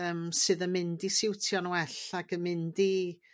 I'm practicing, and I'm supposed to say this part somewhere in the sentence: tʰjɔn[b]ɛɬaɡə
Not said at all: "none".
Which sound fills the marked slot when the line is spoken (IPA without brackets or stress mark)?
w